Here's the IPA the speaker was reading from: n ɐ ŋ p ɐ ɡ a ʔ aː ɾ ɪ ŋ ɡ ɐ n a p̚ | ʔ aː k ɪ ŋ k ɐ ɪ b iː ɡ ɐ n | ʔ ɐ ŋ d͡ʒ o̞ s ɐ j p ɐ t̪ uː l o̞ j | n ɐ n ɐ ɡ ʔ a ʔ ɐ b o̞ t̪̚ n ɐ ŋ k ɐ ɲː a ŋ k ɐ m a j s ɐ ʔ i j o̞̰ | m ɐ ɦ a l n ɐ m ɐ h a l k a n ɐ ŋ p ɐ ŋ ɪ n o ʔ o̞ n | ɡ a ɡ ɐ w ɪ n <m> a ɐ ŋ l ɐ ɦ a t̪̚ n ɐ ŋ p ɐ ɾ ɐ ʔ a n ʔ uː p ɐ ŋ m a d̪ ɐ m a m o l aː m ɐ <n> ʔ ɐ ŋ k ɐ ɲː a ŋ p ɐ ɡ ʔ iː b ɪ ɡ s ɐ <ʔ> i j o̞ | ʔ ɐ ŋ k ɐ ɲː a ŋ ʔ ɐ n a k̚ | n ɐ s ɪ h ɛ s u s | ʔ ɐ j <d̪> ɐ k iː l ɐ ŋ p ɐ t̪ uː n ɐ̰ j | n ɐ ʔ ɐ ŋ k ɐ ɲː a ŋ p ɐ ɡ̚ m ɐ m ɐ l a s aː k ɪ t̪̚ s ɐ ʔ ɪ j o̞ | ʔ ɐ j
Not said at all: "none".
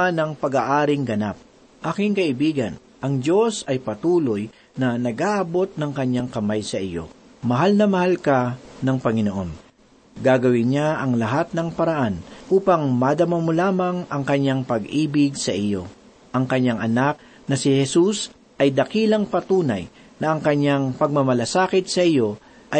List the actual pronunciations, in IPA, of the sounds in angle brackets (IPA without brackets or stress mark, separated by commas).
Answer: ɲ, ŋ, ʔ, d̪